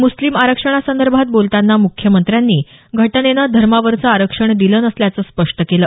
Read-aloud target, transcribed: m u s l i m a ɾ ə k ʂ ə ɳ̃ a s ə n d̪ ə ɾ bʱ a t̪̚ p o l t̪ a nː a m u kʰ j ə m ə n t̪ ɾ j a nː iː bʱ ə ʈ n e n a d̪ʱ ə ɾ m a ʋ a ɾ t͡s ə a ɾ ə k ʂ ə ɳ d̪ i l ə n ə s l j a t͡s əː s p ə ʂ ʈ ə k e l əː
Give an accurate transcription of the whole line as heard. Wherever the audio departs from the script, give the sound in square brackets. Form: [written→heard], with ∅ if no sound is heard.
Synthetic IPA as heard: m u s l i m a ɾ ə k ʂ ə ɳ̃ a s ə n d̪ ə ɾ bʱ a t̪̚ [p→b] o l t̪ a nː a m u kʰ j ə m ə n t̪ ɾ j a nː iː [bʱ→ɡʱ] ə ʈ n e n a d̪ʱ ə ɾ m a ʋ [a→ə] ɾ t͡s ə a ɾ ə k ʂ ə ɳ d̪ i l ə n ə s l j a t͡s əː s p ə ʂ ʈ ə k e l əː